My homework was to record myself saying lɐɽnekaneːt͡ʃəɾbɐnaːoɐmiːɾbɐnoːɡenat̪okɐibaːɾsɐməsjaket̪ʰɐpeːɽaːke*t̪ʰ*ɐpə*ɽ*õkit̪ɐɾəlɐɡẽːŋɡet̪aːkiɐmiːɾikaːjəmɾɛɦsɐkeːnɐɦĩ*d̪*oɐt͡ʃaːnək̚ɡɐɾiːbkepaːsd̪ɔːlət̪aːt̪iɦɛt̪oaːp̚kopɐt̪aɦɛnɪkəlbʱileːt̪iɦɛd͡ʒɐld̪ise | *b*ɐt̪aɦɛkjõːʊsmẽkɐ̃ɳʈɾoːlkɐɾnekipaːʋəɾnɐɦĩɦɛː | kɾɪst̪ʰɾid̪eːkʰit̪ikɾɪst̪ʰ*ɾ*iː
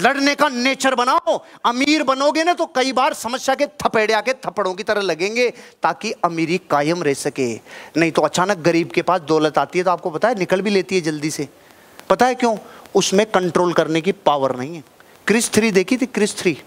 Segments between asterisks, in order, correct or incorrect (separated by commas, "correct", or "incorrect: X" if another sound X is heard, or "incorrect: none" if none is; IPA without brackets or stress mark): correct, correct, incorrect: t̪, incorrect: p, correct